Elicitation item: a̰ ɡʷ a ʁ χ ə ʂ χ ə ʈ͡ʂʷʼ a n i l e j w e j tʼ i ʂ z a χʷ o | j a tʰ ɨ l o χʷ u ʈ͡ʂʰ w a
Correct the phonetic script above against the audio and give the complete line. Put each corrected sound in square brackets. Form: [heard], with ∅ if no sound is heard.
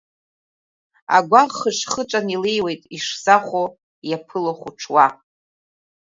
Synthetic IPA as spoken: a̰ ɡʷ a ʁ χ ə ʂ χ ə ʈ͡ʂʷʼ a n i l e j w e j tʼ i ʂ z a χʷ o | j a [pʰ] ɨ l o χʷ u ʈ͡ʂʰ w a